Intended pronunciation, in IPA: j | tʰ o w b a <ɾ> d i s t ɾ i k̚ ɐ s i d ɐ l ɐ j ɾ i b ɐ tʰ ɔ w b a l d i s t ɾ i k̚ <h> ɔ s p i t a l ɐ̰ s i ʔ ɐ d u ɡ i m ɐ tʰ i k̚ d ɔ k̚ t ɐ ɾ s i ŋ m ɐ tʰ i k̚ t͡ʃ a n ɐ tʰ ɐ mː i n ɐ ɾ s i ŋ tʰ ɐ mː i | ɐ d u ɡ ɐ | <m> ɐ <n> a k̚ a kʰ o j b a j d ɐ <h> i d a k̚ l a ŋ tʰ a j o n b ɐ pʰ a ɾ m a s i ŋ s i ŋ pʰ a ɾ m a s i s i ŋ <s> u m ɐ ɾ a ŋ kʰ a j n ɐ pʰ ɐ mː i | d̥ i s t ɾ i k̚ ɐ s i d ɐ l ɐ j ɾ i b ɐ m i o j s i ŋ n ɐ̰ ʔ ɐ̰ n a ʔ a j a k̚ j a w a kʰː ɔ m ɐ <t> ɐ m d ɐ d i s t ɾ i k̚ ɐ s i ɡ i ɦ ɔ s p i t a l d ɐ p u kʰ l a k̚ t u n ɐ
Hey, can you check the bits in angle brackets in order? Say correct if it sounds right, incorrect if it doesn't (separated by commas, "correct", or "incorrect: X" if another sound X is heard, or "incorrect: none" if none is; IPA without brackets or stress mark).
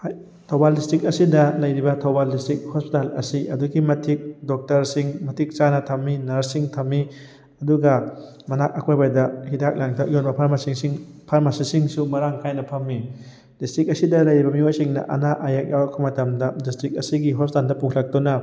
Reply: incorrect: l, correct, correct, correct, correct, correct, correct